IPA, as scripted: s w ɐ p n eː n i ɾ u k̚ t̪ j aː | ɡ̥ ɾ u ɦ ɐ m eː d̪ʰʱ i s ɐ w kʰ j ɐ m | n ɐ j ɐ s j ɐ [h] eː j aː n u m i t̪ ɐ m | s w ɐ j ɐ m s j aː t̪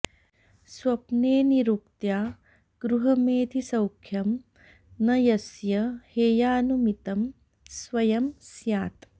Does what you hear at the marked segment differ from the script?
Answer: no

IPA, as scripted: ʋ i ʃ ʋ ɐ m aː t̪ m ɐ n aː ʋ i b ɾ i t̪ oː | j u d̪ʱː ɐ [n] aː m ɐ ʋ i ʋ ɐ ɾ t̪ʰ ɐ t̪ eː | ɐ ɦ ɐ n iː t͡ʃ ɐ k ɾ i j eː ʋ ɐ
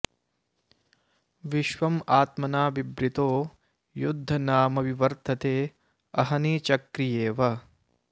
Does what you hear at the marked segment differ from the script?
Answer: no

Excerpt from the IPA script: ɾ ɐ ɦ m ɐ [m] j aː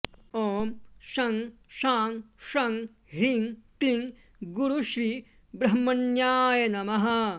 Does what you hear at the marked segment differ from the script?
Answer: yes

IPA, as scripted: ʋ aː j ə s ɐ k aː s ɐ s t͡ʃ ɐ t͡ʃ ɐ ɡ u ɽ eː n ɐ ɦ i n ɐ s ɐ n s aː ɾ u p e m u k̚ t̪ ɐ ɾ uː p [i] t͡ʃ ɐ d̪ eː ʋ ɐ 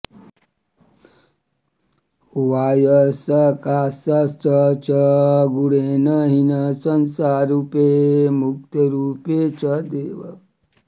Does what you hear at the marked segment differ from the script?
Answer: yes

